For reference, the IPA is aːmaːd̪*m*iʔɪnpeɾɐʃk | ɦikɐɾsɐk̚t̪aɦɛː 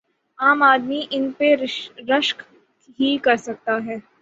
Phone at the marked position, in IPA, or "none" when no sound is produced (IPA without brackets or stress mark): m